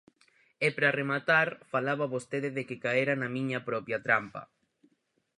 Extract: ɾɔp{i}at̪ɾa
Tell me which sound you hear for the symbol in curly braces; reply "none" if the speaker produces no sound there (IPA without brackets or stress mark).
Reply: j